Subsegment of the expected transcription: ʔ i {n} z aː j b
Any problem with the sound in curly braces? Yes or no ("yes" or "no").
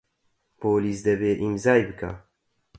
yes